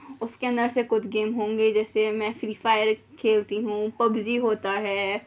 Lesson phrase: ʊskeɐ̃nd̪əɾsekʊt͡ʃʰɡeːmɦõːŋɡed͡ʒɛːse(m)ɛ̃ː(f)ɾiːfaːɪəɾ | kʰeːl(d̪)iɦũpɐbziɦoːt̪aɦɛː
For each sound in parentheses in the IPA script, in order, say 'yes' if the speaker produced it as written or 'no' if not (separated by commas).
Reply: yes, yes, no